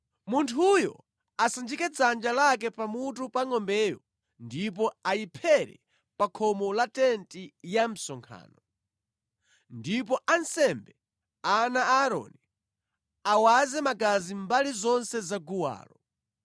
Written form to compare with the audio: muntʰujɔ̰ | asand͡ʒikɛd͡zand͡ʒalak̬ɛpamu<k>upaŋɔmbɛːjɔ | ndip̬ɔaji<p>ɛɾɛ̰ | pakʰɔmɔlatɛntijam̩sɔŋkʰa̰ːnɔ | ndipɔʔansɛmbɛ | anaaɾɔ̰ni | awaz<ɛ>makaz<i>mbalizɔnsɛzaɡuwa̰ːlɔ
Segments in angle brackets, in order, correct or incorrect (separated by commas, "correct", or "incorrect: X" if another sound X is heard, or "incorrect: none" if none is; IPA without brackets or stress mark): incorrect: t, incorrect: pʰ, correct, correct